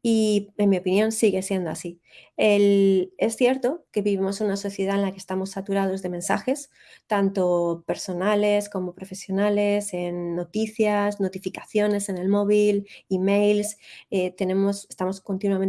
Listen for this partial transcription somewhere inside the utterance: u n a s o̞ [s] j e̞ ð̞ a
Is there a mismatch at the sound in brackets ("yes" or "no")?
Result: yes